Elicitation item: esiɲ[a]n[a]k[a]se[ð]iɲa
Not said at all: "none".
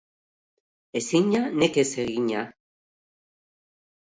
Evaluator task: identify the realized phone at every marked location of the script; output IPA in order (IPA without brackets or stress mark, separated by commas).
a, e, e, ɣ